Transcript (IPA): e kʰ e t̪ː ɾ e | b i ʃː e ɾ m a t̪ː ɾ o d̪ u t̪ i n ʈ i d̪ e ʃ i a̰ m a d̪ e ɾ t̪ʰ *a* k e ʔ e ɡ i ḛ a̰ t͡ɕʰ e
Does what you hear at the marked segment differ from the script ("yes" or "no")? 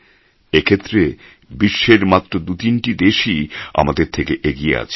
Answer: yes